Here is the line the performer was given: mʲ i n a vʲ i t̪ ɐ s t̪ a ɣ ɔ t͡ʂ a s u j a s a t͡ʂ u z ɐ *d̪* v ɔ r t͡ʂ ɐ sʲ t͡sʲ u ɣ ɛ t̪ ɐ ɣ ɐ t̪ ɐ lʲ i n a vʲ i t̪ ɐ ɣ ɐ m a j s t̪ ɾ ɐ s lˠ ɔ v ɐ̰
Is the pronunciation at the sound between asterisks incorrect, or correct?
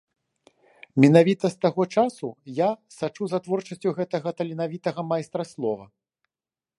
incorrect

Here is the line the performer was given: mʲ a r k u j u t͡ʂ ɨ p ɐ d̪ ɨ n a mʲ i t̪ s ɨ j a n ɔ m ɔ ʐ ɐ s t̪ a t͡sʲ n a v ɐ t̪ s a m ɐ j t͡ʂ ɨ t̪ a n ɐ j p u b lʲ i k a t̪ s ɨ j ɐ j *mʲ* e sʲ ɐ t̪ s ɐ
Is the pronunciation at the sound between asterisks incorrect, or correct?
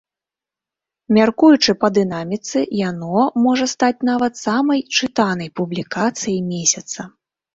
correct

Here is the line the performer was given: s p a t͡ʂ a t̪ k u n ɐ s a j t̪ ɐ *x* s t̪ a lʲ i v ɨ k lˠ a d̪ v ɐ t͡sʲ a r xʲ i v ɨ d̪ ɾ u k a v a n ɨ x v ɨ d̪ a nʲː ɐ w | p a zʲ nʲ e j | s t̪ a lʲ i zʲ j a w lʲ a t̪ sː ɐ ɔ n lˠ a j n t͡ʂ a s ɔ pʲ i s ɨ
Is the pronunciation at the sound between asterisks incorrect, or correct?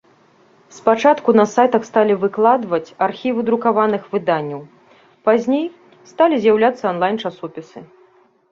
correct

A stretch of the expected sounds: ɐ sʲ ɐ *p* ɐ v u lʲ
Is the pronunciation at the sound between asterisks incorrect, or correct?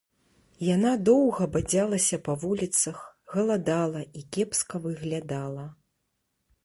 correct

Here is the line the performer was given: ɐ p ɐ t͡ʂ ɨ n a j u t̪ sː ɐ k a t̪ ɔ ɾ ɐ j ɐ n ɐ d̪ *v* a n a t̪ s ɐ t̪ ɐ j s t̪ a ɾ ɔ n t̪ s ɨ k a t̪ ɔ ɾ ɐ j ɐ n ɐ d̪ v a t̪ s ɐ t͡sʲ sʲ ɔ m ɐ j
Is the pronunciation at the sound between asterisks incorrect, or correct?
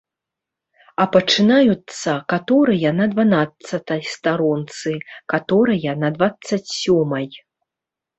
correct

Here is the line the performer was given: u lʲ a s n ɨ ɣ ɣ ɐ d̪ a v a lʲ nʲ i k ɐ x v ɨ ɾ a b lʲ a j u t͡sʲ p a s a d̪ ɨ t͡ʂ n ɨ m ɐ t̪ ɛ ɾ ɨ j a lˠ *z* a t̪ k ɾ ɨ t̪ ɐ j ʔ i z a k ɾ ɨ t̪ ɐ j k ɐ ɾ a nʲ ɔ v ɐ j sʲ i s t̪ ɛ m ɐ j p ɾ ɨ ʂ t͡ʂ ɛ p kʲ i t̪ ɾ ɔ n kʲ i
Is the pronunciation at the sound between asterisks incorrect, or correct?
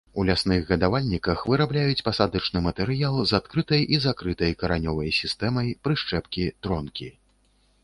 correct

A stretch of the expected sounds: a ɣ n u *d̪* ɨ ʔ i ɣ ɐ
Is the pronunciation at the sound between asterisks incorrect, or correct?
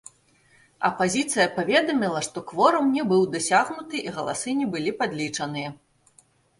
incorrect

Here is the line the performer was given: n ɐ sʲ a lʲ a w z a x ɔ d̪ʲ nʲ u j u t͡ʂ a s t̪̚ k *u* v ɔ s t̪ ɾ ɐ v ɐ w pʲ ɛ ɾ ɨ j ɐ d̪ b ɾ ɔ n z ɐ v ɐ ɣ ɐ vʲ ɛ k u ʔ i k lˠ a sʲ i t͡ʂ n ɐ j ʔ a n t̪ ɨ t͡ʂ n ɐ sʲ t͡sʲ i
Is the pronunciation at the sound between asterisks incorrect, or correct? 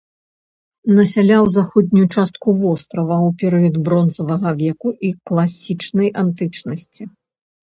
correct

